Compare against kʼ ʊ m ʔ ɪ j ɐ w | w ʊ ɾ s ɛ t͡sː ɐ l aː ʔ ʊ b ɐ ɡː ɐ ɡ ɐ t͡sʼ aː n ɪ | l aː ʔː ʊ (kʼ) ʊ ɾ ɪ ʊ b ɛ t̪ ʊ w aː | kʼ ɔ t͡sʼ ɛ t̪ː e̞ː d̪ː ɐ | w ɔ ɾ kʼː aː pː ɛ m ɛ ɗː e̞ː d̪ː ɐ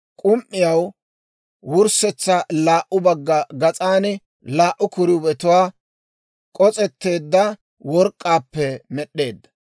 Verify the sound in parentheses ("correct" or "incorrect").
incorrect